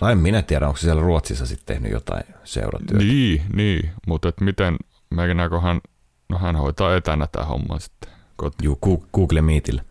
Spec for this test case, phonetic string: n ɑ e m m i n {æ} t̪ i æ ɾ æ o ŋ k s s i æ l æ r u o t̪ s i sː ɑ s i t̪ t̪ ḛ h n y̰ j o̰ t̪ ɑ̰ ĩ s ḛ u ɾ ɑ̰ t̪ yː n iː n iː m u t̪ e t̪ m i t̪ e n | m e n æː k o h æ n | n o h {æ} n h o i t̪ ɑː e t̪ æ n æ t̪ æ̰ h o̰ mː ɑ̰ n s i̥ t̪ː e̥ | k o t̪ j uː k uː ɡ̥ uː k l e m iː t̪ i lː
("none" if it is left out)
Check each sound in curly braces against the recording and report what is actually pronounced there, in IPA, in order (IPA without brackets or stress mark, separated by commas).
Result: æ, æ